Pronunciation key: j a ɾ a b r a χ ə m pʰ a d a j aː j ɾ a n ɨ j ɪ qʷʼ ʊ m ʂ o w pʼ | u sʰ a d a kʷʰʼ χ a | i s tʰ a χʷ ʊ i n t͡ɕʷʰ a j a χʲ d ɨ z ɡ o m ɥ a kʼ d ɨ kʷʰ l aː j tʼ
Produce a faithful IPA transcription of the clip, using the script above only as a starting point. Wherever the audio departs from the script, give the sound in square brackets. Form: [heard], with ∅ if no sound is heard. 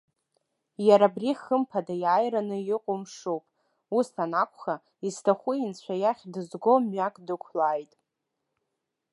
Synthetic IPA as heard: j a ɾ a b r [i] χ ə m pʰ a d a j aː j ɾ a n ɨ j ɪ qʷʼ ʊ m ʂ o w pʼ | u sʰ a [n] a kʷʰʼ χ a | i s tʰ a χʷ ʊ i n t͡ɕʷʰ a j a χʲ d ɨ z ɡ o m ɥ a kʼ d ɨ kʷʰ l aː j tʼ